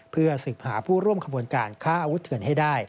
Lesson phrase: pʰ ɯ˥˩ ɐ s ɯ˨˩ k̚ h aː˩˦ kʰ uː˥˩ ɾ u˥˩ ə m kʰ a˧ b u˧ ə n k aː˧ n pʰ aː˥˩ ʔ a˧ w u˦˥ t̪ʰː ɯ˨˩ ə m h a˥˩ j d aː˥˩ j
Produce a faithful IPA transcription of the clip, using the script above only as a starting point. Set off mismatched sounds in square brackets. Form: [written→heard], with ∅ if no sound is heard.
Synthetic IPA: pʰ ɯ˥˩ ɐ s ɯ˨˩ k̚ h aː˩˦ [kʰ→pʰ] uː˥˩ ɾ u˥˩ ə m kʰ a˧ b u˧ ə n k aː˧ n [pʰ→kʰ] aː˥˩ ʔ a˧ w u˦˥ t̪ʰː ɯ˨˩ ə [m→n] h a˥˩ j d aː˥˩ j